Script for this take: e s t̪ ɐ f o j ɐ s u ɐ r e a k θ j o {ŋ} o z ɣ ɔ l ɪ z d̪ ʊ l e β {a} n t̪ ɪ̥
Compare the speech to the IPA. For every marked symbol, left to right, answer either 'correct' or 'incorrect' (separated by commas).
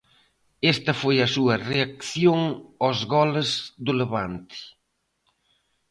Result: correct, correct